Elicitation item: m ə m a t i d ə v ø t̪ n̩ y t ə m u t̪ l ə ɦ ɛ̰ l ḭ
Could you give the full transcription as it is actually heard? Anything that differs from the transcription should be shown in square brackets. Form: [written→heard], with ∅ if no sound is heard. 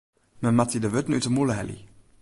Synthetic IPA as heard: m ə m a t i d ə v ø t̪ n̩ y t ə m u [t̪→∅] l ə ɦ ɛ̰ l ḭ